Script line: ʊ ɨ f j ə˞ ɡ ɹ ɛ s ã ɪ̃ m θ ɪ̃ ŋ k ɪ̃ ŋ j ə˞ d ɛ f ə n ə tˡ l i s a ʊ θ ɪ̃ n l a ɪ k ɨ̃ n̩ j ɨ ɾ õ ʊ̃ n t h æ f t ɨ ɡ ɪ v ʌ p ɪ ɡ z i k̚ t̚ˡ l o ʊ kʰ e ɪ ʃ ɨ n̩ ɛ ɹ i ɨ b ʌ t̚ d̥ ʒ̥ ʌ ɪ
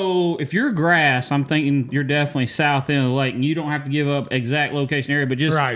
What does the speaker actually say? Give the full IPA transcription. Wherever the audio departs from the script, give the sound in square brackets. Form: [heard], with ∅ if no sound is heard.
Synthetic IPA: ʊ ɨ f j ə˞ ɡ ɹ [æ] s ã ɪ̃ m θ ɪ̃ ŋ k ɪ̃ ŋ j ə˞ d ɛ f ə n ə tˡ l i s a ʊ θ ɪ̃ n l a ɪ k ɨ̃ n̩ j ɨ ɾ õ ʊ̃ n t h æ f t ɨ ɡ ɪ v ʌ p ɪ ɡ z [æ] k̚ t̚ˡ l o ʊ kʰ e ɪ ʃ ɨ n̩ ɛ ɹ i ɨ b ʌ t̚ d̥ ʒ̥ ʌ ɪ